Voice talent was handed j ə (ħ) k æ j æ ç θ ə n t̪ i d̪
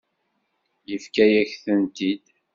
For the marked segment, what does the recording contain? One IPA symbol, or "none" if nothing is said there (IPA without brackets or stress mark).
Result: f